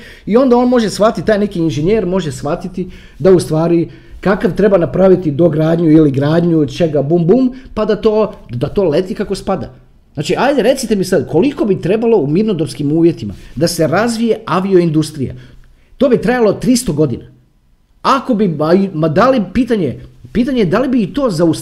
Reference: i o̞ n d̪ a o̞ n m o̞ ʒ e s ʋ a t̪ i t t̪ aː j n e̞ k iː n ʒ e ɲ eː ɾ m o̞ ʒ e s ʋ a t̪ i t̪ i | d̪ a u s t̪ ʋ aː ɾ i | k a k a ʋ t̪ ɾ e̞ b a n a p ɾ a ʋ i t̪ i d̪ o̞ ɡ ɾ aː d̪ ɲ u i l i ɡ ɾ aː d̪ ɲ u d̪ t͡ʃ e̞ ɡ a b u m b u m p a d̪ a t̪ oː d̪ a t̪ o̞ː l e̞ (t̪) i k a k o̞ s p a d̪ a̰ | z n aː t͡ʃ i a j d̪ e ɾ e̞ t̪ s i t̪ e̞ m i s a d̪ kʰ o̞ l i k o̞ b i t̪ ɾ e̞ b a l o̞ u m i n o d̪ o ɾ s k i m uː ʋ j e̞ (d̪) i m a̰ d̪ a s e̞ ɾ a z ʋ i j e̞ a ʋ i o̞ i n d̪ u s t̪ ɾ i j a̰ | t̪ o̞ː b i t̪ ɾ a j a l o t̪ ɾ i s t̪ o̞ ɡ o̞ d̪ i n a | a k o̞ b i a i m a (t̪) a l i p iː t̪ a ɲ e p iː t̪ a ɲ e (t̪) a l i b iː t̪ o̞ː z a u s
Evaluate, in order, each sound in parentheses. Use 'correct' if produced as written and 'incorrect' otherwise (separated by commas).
correct, incorrect, incorrect, incorrect